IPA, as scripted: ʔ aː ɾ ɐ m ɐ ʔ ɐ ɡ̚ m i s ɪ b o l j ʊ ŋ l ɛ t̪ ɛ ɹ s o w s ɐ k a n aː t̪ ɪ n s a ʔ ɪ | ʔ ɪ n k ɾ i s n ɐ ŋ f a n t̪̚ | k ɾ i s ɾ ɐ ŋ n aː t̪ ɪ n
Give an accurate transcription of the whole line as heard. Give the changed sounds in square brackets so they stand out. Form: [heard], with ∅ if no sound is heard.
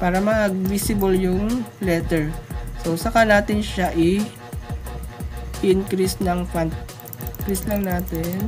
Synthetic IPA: [p] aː ɾ ɐ m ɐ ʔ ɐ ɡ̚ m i s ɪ b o l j ʊ ŋ l ɛ t̪ ɛ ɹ s o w s ɐ k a n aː t̪ ɪ n [ʃ] a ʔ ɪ | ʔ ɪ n k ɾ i s n ɐ ŋ f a n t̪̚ | k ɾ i s [l] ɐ ŋ n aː t̪ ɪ n

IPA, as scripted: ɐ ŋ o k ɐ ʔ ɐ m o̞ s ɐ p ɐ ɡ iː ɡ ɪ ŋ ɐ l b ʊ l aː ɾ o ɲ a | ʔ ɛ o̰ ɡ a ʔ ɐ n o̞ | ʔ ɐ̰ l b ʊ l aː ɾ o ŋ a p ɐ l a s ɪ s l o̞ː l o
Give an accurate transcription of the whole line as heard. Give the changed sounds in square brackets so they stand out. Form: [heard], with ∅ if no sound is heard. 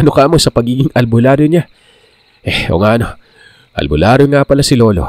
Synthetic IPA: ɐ [n] o k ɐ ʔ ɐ m o̞ s ɐ p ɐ ɡ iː ɡ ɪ ŋ ɐ l b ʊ l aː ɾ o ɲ a | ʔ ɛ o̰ [ŋ] a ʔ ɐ n o̞ | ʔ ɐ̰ l b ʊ l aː ɾ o ŋ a p ɐ l a s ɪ [∅] l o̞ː l o

